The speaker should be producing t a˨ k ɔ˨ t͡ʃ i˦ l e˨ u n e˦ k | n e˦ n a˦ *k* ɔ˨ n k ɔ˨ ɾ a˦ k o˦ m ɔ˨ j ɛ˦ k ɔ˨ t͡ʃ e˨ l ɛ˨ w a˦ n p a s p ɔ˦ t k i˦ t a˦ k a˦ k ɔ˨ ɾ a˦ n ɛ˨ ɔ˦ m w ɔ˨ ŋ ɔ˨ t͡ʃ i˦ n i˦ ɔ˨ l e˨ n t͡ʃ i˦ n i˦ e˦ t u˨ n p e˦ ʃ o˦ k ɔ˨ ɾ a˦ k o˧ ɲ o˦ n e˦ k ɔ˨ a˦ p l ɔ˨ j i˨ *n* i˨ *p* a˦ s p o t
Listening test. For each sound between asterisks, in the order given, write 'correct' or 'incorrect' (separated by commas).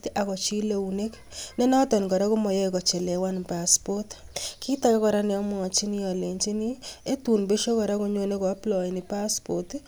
incorrect, correct, correct